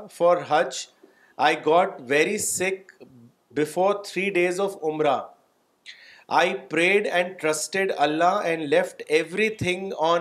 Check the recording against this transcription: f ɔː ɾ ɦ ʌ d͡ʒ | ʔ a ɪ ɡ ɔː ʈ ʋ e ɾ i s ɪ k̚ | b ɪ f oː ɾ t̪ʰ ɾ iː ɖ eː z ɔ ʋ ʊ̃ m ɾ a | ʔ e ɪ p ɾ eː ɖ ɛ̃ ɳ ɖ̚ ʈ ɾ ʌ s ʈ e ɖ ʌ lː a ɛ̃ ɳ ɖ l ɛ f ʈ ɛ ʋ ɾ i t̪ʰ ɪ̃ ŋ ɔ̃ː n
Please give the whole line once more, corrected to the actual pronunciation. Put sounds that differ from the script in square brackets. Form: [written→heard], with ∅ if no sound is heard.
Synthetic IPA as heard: f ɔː ɾ ɦ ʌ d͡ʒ | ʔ a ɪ ɡ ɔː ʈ ʋ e ɾ i s ɪ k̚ | b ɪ f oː ɾ t̪ʰ ɾ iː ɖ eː z ɔ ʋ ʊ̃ m ɾ a | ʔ [e→a] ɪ p ɾ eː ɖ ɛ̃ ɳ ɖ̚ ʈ ɾ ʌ s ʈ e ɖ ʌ lː a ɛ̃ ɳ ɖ l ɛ f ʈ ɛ ʋ ɾ i t̪ʰ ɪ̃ ŋ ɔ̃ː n